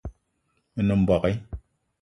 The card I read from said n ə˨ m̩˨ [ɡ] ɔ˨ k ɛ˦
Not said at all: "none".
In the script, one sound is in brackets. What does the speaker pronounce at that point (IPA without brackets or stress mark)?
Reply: b